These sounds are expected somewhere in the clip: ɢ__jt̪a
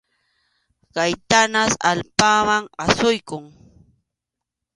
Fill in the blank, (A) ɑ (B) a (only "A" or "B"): B